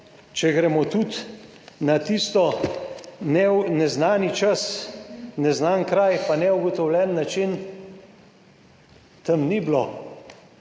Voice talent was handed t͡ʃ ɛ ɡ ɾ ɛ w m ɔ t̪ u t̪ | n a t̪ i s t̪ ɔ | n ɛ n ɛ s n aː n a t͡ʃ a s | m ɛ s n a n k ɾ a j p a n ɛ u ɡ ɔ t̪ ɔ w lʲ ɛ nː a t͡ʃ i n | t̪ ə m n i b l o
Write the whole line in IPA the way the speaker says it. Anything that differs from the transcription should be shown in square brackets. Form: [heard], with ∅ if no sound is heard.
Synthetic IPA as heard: t͡ʃ ɛ ɡ ɾ ɛ [∅] m ɔ t̪ u t̪ | n a t̪ i s t̪ ɔ | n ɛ n ɛ [z] n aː n [i] t͡ʃ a s | [n] ɛ [z] n a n k ɾ a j p a n ɛ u ɡ ɔ t̪ ɔ w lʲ ɛ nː a t͡ʃ i n | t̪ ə m n i b l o